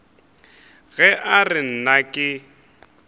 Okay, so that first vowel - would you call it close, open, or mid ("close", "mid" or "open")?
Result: mid